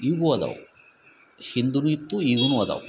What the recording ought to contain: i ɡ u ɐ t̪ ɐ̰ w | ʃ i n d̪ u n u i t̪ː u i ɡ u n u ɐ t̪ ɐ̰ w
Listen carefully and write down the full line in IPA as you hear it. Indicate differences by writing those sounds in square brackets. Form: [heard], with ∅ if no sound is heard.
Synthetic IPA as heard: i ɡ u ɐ [d̪] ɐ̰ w | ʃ i n d̪ u n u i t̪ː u i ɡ u n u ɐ [d̪] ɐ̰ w